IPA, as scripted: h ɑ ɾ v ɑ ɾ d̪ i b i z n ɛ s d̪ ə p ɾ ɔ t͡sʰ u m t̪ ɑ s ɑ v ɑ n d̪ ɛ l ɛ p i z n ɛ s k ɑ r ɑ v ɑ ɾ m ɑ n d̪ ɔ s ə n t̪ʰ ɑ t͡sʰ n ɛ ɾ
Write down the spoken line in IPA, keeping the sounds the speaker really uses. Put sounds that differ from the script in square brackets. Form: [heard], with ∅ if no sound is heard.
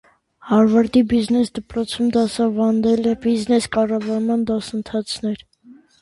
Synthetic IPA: h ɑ ɾ v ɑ ɾ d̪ i b i z n ɛ s d̪ ə p ɾ ɔ t͡sʰ u m [d̪] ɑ s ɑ v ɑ n d̪ ɛ l ɛ [b] i z n ɛ s k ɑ r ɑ v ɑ ɾ m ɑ n d̪ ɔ s ə n t̪ʰ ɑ t͡sʰ n ɛ ɾ

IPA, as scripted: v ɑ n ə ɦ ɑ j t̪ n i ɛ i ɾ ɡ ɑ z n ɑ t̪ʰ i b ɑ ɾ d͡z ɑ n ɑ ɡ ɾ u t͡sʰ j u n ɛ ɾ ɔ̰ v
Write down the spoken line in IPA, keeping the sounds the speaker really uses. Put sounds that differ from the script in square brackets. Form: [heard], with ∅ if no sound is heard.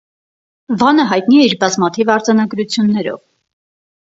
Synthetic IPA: v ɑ n ə ɦ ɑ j t̪ n i ɛ i ɾ [b] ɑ z [m] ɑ t̪ʰ i [v] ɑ ɾ d͡z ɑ n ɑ ɡ ɾ u t͡sʰ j u [nː] ɛ ɾ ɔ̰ v

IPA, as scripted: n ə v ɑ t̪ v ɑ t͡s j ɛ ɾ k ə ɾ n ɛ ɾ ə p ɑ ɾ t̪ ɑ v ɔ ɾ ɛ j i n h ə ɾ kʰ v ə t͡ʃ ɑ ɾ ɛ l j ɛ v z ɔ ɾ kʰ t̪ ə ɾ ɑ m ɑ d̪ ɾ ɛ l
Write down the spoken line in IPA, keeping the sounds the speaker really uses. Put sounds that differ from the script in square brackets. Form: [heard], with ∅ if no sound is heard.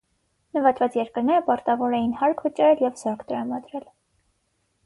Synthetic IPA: n ə v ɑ t̪ v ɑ t͡s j ɛ ɾ k ə ɾ n ɛ ɾ ə p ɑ ɾ t̪ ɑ v ɔ ɾ ɛ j i n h [ɑ] ɾ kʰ v ə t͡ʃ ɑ ɾ ɛ l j ɛ v z ɔ ɾ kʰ t̪ ə ɾ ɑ m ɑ d̪ ɾ ɛ l

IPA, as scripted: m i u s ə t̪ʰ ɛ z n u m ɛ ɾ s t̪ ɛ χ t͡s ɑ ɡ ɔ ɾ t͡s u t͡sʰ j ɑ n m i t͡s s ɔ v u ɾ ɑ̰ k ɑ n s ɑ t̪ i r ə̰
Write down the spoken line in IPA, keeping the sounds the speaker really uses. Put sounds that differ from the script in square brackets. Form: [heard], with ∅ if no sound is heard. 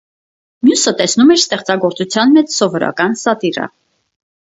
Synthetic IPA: m [j] u s ə [t̪] ɛ [s] n u m ɛ ɾ s t̪ ɛ χ t͡s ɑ ɡ ɔ ɾ t͡s u t͡sʰ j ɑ n m [ɛ] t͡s s ɔ v [ɔ] ɾ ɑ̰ k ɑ n s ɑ t̪ i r ə̰

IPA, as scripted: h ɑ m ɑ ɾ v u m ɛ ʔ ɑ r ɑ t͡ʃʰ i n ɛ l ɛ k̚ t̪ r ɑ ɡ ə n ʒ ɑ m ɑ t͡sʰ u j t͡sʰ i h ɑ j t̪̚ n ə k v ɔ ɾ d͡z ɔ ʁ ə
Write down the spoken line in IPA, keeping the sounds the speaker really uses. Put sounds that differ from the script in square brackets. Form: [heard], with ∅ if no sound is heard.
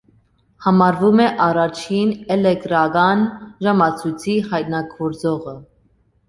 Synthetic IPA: h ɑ m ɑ ɾ v u m ɛ ʔ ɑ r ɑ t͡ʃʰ i n ɛ l ɛ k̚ t̪ [ɾ] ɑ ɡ [ɑ] n ʒ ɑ m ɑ t͡sʰ u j t͡sʰ i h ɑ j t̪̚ n [ɑ] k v ɔ ɾ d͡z ɔ ʁ ə

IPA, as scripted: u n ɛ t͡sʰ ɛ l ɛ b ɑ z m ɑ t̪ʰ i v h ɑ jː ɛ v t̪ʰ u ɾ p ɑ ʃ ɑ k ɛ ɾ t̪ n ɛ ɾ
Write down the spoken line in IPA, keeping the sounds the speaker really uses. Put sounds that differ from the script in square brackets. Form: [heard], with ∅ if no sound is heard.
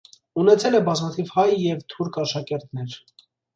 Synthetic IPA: u n ɛ t͡sʰ ɛ l ɛ b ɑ z m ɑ t̪ʰ i v h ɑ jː ɛ v t̪ʰ u ɾ [k] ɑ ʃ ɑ k ɛ ɾ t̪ n ɛ ɾ

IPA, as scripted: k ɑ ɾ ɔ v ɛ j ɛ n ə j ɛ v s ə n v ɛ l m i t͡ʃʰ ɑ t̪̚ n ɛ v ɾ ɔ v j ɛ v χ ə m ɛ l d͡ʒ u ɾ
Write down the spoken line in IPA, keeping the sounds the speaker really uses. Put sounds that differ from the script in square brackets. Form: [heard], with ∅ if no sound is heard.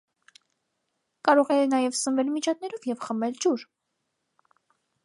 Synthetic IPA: k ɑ ɾ ɔ [ʁ] ɛ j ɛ n [ɑ] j ɛ v s ə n v ɛ l m i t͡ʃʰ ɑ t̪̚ n ɛ [∅] ɾ ɔ v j ɛ v χ ə m ɛ l d͡ʒ u ɾ

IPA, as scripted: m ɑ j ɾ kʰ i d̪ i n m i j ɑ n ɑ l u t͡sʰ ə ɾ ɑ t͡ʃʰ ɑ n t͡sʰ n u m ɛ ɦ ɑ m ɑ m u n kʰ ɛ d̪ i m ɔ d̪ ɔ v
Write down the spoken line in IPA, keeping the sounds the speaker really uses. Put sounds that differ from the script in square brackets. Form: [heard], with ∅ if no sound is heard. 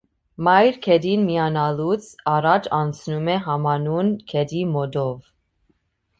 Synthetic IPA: m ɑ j ɾ kʰ [ɛ] d̪ i n m i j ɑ n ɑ l u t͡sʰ [ɑ] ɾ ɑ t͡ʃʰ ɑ n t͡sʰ n u m ɛ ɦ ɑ m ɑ [n] u n kʰ ɛ d̪ i m ɔ d̪ ɔ v

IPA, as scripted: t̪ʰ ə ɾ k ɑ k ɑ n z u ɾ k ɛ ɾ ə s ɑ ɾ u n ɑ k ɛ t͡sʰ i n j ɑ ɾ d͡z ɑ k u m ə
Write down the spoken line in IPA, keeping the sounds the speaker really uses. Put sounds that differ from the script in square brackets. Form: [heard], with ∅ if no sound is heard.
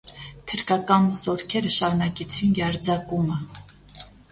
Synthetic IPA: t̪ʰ ə ɾ k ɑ k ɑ n z [ɔ] ɾ [kʰ] ɛ ɾ ə [ʃ] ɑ ɾ u n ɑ k ɛ t͡sʰ i n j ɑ ɾ d͡z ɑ k u m ə

